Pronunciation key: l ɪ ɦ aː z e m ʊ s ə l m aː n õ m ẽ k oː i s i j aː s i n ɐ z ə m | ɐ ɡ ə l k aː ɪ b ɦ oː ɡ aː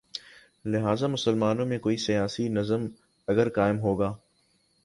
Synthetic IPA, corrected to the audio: l ɪ ɦ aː z a m ʊ s ə l m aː n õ m ẽ k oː i s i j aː s i n ɐ z ə m | ɐ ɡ ə ɾ k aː ɪ m ɦ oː ɡ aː